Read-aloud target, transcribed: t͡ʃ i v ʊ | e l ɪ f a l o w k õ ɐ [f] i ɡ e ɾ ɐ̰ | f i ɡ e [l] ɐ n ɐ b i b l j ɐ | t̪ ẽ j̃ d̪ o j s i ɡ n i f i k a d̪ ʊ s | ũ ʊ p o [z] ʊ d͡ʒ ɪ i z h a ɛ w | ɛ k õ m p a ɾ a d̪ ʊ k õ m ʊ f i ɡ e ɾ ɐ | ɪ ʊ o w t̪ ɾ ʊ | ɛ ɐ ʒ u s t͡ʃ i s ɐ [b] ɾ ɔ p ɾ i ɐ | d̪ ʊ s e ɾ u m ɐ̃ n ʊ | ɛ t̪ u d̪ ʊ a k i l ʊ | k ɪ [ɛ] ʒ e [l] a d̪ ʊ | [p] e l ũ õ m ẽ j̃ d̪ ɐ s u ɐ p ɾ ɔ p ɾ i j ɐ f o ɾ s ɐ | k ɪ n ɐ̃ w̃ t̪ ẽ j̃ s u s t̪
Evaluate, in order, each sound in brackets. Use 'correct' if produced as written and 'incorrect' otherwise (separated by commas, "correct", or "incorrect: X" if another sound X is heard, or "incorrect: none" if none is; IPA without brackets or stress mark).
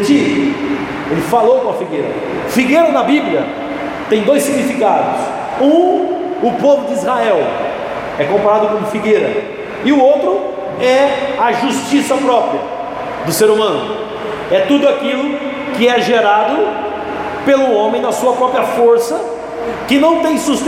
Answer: correct, incorrect: ɾ, incorrect: v, incorrect: p, correct, incorrect: ɾ, correct